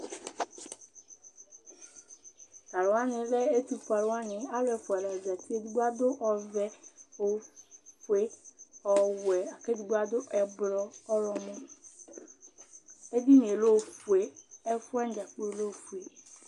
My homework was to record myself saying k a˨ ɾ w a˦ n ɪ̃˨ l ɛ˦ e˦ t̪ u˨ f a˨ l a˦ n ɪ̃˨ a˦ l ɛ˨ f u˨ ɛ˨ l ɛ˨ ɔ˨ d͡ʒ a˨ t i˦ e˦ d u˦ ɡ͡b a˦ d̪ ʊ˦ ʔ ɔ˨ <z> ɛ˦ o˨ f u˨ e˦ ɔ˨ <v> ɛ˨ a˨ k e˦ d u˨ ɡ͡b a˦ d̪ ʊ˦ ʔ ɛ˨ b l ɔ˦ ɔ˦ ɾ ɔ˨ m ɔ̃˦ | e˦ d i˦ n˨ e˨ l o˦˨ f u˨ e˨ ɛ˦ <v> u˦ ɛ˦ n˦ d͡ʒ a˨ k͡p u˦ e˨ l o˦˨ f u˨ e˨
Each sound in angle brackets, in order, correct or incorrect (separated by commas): incorrect, incorrect, incorrect